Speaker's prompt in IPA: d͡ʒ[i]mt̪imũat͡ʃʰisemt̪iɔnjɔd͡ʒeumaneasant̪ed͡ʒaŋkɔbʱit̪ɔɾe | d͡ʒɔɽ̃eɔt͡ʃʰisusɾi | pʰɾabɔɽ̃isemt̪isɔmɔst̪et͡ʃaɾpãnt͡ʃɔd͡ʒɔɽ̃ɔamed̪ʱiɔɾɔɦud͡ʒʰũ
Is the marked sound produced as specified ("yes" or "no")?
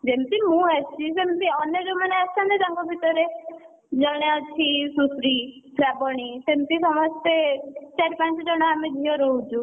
no